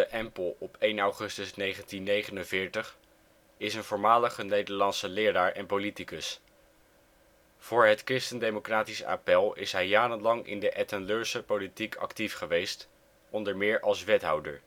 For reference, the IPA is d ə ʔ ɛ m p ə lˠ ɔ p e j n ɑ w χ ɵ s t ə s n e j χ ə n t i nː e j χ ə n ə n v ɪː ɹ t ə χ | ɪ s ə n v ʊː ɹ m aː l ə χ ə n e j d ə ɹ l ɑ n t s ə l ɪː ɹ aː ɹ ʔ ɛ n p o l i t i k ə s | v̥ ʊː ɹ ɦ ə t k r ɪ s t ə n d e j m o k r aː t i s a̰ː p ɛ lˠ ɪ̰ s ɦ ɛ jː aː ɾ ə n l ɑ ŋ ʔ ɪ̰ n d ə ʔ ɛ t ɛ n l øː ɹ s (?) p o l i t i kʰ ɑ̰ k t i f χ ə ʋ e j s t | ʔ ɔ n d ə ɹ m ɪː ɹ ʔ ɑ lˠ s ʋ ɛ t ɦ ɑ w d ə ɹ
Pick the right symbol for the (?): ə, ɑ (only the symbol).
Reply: ə